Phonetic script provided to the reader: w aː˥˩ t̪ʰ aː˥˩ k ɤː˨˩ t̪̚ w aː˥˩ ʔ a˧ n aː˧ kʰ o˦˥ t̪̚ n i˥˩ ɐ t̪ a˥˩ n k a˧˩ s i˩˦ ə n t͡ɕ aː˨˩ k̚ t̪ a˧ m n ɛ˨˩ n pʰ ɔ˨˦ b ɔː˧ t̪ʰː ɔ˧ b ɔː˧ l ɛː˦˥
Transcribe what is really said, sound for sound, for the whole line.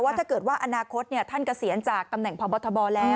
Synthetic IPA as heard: w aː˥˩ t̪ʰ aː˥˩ k ɤː˨˩ t̪̚ w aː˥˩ ʔ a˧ n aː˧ kʰ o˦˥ t̪̚ n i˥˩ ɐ t̪ʰ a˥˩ n k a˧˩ s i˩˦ ə n t͡ɕ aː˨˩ k̚ t̪ a˧ m n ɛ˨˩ ŋ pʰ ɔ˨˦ b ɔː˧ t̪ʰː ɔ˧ b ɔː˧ l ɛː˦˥